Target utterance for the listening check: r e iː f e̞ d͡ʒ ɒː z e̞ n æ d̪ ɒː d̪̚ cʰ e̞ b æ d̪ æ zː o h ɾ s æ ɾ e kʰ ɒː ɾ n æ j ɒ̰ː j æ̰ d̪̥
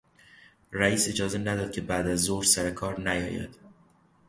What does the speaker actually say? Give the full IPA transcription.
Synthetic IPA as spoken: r æ iː s e̞ d͡ʒ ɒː z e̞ n æ d̪ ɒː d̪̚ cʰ e̞ b æ d̪ æ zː o h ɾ s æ ɾ e kʰ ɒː ɾ n æ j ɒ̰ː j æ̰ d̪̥